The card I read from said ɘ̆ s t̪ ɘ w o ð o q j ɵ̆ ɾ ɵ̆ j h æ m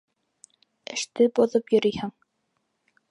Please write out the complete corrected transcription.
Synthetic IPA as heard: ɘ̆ ʃ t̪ ɘ b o ð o p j ɵ̆ ɾ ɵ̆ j h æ ŋ